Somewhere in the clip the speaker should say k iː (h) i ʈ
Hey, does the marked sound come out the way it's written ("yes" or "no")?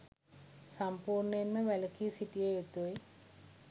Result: no